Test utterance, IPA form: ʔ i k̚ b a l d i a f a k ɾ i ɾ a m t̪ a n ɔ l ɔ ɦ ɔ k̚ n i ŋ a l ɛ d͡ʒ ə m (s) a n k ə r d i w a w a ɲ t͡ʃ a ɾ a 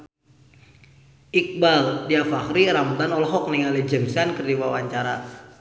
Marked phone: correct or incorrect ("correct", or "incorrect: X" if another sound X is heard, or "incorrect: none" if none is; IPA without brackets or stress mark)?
correct